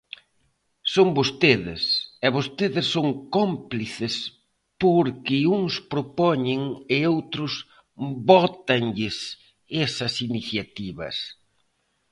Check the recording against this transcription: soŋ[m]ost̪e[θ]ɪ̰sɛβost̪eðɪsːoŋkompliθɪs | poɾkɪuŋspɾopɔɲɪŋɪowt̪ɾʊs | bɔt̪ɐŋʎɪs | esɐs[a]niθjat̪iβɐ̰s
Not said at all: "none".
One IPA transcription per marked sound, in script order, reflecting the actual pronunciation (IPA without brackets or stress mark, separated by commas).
b, ð, i